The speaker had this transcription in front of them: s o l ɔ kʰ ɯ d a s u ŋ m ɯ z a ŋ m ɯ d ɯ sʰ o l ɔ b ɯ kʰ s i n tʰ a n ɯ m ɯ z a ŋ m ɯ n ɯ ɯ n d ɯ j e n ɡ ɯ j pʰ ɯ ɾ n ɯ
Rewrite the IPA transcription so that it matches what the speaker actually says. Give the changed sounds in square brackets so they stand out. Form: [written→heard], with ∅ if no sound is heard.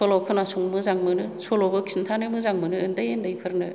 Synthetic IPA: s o l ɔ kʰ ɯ [d→n] a s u ŋ m ɯ z a ŋ m ɯ [d→n] ɯ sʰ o l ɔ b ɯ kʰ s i n tʰ a n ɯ m ɯ z a ŋ m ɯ n ɯ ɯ n d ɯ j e n [ɡ→d] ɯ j pʰ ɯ ɾ n ɯ